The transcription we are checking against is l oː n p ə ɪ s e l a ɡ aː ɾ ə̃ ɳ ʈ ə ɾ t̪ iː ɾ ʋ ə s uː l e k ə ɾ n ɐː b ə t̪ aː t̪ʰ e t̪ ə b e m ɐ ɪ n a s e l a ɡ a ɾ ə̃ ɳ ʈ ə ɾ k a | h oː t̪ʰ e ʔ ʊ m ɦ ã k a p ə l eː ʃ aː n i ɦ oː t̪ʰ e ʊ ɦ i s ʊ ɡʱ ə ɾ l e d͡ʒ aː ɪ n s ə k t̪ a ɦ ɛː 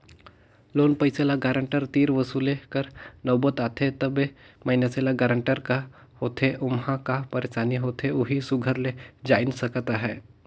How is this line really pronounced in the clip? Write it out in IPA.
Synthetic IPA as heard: l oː n p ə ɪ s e l a ɡ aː ɾ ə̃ ɳ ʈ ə ɾ t̪ iː ɾ ʋ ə s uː l e k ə ɾ n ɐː b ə t̪ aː t̪ʰ e t̪ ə b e m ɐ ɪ n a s e l a ɡ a ɾ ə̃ ɳ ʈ ə ɾ k a | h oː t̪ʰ e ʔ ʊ m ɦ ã k a p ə ɾ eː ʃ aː n i ɦ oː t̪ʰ e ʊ ɦ i s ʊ ɡʱ ə ɾ l e d͡ʒ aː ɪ n s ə k t̪ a ɦ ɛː